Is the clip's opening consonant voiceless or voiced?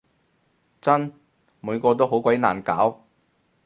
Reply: voiceless